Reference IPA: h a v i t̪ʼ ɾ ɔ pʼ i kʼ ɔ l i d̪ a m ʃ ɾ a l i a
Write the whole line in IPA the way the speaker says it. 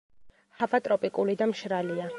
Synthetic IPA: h a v a t̪ʼ ɾ ɔ pʼ i kʼ u l i d̪ a m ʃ ɾ a l i a